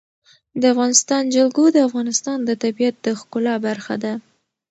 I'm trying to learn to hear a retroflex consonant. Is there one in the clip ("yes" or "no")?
no